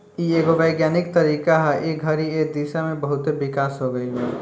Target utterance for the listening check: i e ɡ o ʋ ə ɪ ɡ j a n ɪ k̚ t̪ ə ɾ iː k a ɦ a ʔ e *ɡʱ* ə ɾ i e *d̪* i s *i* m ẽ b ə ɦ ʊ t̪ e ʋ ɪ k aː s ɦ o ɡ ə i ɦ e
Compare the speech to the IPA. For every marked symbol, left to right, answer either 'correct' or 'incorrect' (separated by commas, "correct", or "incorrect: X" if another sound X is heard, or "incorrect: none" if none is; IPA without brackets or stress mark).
correct, correct, incorrect: a